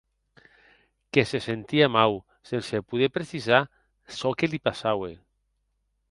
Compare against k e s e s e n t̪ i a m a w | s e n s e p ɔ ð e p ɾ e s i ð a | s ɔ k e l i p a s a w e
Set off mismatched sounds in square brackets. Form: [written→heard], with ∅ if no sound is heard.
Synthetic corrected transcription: k e s e s e n t̪ i a m a w | s e n s e p [ɔ→u] ð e p ɾ e s i [ð→z] a | s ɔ k e l i p a s a w e